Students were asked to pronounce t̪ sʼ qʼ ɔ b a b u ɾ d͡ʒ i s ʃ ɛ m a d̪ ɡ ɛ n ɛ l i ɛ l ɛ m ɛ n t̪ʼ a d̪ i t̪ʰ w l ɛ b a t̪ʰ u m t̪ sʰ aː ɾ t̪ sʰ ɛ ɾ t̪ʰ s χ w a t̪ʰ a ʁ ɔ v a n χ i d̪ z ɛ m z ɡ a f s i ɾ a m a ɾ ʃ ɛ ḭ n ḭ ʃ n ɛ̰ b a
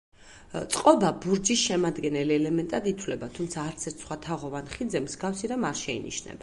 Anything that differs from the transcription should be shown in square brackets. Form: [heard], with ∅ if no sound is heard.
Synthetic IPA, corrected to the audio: t̪ sʼ qʼ ɔ b a b u ɾ d͡ʒ i s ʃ ɛ m a d̪ ɡ ɛ n ɛ l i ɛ l ɛ m ɛ n t̪ʼ a d̪ i t̪ʰ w l ɛ b a t̪ʰ u m t̪ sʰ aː ɾ t̪ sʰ ɛ ɾ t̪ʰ s χ w a t̪ʰ a ʁ ɔ v a n χ i d̪ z ɛ m z ɡ a f s i ɾ a m a ɾ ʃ ɛ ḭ n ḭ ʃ n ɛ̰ b a